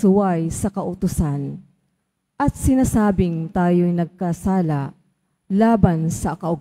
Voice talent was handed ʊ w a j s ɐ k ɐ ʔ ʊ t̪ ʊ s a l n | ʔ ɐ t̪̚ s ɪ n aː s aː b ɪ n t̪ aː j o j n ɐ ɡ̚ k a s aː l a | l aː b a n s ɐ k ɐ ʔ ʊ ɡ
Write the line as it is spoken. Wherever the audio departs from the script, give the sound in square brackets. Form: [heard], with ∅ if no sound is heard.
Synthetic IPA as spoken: ʊ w a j s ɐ k ɐ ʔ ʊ t̪ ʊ s a [∅] n | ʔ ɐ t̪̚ s ɪ n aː s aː b ɪ [ŋ] t̪ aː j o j n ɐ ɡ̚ k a s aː l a | l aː b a n s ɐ k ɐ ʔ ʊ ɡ